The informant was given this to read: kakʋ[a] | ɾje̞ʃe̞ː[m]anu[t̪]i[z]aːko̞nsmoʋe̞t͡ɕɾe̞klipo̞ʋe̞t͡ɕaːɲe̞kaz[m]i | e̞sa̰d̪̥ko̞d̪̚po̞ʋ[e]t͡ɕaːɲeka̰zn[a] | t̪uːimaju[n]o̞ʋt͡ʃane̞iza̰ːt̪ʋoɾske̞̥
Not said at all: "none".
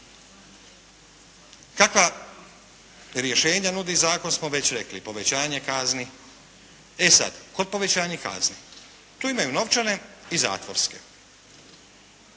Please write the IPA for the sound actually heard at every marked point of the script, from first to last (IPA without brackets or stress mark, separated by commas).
a, ɲ, d̪, z, n, e, i, n